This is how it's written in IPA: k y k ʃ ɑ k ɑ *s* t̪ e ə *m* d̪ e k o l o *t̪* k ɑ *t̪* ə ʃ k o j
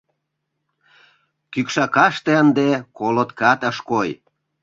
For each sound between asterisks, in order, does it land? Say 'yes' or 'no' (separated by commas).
no, no, yes, yes